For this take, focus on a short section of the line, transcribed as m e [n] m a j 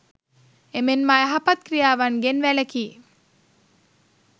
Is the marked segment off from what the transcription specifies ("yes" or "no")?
no